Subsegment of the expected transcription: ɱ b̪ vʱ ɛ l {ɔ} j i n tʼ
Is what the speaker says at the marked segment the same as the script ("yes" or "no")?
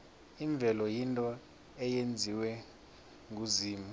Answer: yes